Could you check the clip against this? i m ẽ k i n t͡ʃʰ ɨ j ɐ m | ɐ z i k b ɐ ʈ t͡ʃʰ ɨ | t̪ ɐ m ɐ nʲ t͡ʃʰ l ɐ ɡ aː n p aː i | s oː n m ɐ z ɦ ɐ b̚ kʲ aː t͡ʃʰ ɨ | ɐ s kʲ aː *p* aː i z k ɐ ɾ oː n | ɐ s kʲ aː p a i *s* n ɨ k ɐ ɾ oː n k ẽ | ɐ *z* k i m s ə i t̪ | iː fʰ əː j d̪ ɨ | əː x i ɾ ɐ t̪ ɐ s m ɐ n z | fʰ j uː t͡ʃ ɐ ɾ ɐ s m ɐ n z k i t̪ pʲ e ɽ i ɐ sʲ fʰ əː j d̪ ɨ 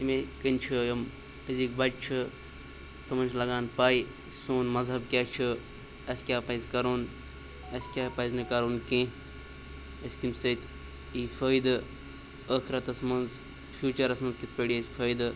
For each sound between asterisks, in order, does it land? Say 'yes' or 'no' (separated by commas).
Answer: yes, no, no